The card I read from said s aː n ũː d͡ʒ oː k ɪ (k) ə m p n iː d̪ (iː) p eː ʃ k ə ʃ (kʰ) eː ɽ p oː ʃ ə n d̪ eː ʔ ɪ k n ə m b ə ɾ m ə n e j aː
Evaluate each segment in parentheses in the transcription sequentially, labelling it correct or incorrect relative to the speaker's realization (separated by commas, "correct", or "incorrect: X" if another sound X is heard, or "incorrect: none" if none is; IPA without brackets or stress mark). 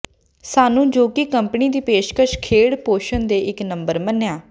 correct, correct, correct